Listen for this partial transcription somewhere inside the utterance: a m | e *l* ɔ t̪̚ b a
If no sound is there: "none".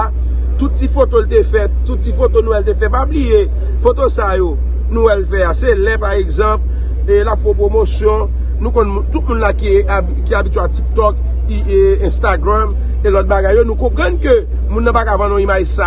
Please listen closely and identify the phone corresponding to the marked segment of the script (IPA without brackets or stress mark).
l